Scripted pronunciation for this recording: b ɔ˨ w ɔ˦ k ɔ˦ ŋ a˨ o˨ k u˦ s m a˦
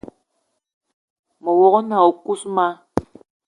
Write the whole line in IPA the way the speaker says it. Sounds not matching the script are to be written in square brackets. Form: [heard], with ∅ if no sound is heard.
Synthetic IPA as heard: [m] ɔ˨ w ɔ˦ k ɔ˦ [n] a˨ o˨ k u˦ s m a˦